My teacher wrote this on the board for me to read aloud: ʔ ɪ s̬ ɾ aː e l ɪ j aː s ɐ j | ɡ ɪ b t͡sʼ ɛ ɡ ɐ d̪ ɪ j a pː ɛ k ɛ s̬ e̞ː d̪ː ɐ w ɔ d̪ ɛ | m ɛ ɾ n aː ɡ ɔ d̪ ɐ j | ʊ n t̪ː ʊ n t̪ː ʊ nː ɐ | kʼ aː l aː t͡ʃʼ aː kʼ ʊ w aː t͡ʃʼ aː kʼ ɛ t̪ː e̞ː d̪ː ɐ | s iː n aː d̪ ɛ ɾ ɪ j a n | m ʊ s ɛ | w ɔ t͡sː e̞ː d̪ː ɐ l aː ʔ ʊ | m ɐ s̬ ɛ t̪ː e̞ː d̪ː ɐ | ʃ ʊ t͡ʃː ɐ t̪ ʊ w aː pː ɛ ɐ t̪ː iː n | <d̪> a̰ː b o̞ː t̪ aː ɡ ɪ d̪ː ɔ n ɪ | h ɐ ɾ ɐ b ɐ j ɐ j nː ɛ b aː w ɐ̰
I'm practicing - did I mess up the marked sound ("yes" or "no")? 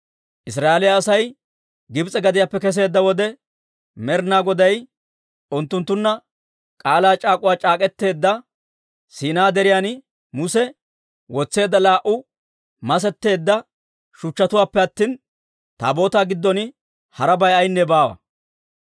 yes